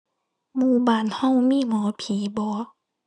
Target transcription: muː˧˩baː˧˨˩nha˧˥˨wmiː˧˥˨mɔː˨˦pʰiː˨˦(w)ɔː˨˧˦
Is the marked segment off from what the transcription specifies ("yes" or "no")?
yes